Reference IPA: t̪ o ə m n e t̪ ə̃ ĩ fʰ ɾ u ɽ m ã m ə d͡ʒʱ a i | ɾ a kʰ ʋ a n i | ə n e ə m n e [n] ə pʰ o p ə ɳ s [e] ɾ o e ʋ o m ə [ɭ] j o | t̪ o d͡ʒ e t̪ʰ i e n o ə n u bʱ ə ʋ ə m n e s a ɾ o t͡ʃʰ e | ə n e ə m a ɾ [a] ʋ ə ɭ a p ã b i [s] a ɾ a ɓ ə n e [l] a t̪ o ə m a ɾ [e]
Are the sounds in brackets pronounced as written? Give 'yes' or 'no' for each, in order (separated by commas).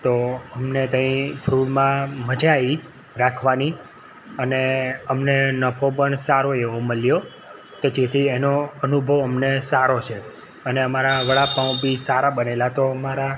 yes, no, no, yes, yes, yes, no